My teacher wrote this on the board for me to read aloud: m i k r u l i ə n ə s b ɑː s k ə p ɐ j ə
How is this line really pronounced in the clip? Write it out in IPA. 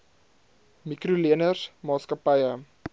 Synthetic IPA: m i k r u l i ə n ə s m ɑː s k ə p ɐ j ə